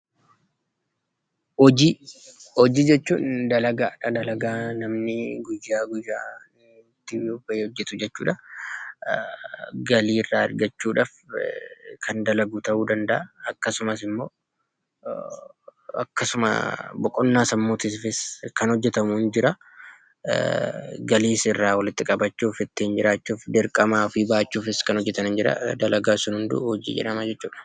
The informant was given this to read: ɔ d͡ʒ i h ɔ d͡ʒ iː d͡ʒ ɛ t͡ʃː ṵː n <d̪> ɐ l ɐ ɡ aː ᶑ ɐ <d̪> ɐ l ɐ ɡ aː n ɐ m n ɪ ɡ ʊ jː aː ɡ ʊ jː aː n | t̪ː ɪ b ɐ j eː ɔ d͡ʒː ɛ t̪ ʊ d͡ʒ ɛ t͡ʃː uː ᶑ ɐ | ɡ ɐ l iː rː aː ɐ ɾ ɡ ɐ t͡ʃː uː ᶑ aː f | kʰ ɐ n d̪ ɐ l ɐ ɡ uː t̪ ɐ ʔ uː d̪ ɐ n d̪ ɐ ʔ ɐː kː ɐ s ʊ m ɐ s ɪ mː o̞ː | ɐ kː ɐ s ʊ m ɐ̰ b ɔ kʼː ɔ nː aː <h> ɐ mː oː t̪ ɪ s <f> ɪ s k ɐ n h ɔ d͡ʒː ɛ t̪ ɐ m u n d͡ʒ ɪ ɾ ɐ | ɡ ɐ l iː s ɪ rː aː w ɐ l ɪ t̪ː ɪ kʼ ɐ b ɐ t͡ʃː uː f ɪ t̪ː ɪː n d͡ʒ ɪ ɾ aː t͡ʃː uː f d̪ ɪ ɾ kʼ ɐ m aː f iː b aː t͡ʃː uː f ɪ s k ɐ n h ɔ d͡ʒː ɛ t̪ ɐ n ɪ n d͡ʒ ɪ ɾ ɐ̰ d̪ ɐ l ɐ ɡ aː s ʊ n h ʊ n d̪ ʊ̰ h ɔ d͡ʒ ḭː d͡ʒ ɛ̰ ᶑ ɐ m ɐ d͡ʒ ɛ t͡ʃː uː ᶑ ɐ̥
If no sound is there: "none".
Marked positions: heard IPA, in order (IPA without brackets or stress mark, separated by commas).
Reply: d̪, d̪, s, f